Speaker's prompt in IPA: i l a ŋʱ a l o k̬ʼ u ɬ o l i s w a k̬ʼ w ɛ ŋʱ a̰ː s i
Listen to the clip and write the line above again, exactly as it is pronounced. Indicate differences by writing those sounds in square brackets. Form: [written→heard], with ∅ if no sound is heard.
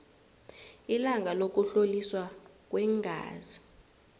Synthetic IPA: i l a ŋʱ a l o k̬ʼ u ɬ o l i s w a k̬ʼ w ɛ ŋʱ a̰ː [s→z] i